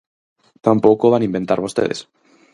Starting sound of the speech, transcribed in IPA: t̪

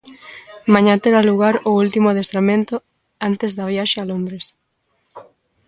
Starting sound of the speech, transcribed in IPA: m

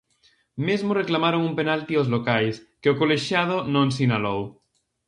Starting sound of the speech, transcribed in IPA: m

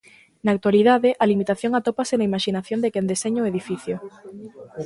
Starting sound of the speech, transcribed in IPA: n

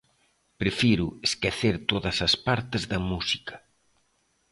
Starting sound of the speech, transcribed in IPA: p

